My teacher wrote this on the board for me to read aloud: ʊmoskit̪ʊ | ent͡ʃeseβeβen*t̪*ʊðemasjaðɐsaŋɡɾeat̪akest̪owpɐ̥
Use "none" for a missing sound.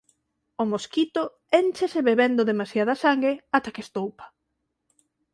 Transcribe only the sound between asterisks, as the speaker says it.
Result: d̪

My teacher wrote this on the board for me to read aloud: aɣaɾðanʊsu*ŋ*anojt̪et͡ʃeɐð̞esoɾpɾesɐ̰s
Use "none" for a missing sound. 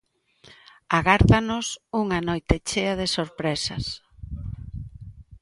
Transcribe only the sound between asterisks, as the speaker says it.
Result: ŋ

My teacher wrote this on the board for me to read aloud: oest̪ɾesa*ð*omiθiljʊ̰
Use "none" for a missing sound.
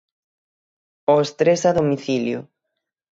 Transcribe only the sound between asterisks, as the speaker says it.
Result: ð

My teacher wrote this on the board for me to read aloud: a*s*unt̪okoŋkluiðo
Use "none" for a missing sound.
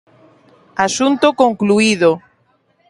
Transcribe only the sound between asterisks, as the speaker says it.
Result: s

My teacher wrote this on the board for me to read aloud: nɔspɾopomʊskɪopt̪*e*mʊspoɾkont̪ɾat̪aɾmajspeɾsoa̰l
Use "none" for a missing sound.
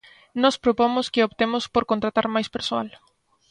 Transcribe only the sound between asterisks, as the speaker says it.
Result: e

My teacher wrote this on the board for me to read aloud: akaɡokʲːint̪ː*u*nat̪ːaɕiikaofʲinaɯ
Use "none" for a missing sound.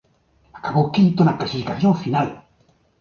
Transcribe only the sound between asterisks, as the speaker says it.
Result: o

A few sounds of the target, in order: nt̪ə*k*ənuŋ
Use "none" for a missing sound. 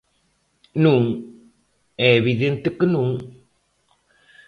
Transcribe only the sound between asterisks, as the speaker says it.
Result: k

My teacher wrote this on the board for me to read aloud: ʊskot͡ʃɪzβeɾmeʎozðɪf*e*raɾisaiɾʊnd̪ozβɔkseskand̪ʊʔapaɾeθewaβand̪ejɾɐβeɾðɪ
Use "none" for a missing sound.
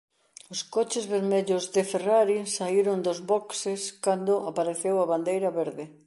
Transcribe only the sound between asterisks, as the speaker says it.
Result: e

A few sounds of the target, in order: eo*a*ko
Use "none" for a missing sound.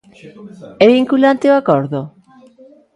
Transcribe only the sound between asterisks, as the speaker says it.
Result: a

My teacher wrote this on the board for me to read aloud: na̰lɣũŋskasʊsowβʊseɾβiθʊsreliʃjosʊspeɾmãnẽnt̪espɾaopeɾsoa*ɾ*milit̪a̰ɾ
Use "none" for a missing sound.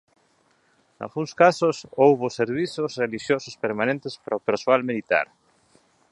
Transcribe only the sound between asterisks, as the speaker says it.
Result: l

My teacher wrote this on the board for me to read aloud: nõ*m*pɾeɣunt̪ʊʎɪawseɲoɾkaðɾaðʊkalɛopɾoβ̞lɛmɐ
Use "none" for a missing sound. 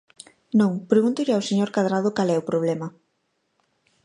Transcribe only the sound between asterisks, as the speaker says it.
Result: ŋ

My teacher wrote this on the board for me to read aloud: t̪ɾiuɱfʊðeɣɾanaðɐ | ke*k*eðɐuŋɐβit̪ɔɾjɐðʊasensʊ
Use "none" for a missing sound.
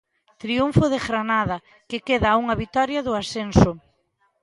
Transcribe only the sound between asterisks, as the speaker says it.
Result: k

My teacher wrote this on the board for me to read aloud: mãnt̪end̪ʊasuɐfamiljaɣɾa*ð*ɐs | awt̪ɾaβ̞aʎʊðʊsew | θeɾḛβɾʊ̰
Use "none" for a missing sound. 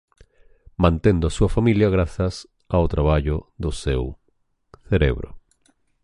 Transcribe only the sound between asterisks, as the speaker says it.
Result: θ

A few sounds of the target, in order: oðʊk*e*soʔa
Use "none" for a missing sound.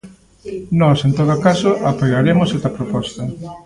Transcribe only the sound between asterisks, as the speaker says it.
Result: a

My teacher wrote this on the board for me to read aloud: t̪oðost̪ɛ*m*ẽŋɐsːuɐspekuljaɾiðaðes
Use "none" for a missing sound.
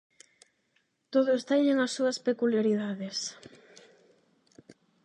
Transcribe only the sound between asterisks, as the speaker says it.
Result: ɲ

